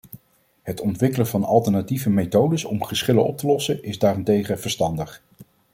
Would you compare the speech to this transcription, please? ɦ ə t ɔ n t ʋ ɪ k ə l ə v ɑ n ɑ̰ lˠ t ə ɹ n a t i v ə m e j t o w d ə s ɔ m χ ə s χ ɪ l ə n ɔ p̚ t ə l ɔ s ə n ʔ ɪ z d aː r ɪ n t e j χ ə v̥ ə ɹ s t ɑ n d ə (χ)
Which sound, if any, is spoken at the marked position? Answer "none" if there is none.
χ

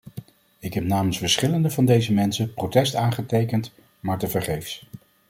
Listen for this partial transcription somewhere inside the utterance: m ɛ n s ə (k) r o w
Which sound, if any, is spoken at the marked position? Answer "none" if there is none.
p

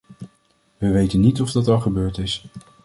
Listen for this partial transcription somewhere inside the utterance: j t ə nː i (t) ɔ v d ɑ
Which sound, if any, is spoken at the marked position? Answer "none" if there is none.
t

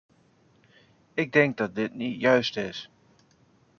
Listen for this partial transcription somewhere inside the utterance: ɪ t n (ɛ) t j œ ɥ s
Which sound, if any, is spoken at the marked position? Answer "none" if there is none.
i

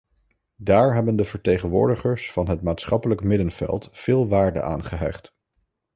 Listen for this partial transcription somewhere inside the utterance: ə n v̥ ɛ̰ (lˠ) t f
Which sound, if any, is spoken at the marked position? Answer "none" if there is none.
lˠ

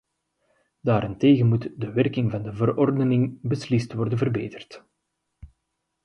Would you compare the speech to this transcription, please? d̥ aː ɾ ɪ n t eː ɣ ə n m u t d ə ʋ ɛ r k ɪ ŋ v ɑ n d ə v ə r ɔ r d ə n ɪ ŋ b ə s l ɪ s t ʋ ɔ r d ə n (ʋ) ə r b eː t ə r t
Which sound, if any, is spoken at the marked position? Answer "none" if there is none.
v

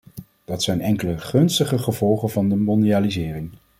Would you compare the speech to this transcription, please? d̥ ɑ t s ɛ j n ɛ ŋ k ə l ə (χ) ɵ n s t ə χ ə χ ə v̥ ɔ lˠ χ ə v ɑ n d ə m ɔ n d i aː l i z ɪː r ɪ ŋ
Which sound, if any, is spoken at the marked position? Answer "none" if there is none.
χ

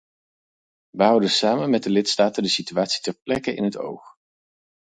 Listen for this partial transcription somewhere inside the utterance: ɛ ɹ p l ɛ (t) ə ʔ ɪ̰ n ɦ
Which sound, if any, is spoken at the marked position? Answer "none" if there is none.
k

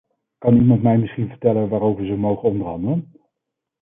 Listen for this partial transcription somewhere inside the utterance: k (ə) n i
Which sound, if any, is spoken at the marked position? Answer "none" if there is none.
ɑ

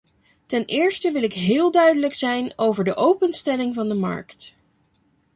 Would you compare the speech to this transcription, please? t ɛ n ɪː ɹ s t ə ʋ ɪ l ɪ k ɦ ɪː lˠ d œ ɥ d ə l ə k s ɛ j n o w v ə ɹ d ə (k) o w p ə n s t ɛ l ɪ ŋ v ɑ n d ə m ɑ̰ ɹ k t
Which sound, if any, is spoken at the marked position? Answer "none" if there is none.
ʔ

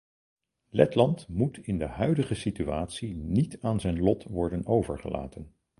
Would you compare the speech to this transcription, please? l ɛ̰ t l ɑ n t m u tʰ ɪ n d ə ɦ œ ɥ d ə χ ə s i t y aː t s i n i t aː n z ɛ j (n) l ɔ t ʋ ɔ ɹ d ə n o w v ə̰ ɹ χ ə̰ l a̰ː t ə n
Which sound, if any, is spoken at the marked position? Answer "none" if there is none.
n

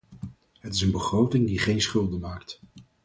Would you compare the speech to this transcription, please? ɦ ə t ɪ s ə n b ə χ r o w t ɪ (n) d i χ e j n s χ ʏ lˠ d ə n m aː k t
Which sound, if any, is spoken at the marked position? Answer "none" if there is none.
ŋ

